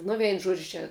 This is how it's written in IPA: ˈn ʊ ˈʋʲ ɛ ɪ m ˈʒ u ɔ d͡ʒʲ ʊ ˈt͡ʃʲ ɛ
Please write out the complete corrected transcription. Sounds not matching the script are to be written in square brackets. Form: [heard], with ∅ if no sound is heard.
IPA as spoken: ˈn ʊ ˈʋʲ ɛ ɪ [n] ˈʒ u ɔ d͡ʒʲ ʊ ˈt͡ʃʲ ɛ